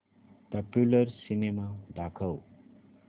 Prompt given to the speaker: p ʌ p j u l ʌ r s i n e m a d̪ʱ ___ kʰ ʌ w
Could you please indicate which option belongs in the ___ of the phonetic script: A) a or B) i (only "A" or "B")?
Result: A